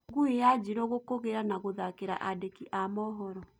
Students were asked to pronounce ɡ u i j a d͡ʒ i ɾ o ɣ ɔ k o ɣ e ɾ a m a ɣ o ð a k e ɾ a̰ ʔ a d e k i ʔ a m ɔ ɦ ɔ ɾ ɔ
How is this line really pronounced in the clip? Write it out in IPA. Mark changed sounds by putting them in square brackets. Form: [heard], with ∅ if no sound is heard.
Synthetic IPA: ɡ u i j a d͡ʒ i ɾ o ɣ [o] k o ɣ e ɾ a [n] a ɣ o ð a k e ɾ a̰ ʔ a d e k i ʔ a m ɔ ɦ ɔ ɾ ɔ